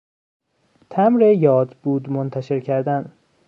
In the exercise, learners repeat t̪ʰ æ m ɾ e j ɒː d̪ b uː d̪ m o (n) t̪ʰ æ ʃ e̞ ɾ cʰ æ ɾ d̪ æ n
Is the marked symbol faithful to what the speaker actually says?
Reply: yes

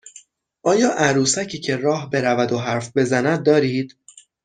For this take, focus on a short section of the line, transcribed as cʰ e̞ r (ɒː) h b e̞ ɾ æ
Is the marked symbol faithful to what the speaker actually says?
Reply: yes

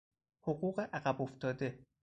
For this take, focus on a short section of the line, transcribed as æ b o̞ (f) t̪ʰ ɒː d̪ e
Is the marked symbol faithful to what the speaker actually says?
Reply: yes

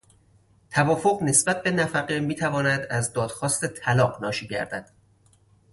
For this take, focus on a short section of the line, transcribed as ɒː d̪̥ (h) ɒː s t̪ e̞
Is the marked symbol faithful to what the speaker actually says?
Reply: no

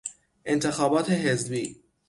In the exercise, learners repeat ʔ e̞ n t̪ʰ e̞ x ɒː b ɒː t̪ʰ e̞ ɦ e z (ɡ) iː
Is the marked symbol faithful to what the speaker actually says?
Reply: no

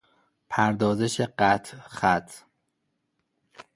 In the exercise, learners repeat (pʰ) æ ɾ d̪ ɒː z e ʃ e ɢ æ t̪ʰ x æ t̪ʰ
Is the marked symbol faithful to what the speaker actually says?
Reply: yes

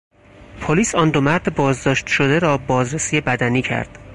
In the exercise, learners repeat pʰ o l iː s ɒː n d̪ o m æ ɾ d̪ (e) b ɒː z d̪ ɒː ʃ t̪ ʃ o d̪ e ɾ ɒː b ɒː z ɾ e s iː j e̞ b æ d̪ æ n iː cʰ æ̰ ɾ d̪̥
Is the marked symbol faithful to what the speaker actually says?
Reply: yes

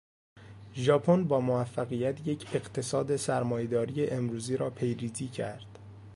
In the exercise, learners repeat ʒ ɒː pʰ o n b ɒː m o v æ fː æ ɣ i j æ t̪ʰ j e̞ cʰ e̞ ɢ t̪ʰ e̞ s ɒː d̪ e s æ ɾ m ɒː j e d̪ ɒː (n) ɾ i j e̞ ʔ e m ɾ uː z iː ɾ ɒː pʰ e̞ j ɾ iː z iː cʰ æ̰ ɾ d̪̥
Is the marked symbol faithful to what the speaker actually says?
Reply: no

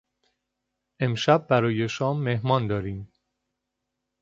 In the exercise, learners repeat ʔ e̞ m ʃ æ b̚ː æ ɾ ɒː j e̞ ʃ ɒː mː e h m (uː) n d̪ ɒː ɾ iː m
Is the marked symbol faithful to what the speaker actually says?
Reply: no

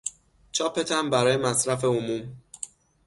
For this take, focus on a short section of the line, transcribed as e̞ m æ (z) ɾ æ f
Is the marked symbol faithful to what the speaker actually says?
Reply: no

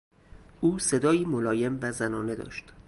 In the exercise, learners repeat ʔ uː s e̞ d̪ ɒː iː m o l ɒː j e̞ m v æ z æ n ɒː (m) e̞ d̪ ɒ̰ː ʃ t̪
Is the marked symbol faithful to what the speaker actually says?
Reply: no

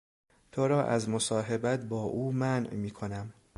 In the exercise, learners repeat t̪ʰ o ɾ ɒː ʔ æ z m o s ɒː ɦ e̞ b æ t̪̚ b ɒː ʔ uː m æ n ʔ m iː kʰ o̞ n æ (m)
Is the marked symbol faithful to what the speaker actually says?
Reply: yes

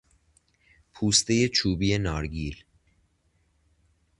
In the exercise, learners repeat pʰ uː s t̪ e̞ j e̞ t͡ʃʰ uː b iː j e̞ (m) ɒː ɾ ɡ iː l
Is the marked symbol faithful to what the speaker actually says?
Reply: no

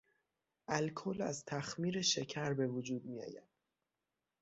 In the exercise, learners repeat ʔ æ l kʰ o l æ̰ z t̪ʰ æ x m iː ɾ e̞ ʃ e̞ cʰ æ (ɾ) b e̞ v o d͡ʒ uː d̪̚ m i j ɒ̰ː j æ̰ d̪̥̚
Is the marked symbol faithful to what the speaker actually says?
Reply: yes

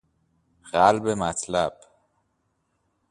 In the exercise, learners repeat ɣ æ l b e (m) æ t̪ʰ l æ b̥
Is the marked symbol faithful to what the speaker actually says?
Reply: yes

